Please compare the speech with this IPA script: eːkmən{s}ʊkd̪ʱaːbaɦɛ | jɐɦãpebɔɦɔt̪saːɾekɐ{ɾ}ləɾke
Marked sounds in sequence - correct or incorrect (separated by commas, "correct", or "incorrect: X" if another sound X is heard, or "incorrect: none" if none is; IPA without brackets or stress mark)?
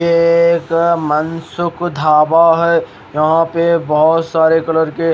correct, incorrect: none